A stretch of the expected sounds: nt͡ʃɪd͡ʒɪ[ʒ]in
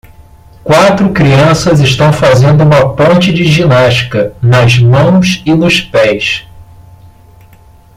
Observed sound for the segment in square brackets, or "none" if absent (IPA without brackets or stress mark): ʒ